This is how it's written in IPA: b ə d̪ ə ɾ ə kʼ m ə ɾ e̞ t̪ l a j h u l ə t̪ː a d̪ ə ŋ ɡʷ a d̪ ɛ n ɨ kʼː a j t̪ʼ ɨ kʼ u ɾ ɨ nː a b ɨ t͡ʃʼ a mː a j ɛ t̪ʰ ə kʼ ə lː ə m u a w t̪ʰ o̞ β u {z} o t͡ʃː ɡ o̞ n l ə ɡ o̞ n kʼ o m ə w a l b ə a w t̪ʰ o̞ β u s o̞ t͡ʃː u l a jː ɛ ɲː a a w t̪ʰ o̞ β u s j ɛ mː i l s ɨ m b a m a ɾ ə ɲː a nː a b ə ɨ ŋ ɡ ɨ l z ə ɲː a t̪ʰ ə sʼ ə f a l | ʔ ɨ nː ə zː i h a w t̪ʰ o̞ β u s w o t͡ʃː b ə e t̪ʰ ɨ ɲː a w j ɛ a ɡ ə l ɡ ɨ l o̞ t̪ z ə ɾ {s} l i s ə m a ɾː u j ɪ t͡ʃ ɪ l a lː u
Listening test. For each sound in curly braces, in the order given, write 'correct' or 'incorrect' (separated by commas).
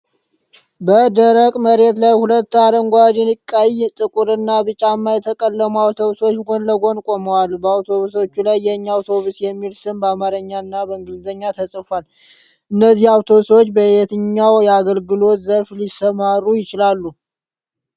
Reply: incorrect, incorrect